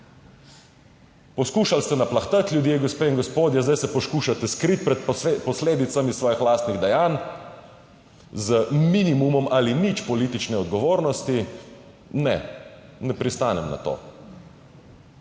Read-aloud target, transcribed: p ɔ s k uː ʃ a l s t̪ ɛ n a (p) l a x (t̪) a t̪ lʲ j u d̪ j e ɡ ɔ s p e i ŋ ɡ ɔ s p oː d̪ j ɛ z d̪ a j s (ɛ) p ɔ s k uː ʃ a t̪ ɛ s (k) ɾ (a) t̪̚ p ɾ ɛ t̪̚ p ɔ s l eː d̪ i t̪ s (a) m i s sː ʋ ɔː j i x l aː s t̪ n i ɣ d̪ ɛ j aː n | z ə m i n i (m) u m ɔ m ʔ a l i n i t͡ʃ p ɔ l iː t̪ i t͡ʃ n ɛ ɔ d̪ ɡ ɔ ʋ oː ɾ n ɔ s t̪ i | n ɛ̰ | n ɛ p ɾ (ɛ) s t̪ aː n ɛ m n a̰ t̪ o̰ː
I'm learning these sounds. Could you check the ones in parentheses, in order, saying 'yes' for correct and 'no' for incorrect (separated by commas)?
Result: yes, yes, yes, yes, no, yes, yes, no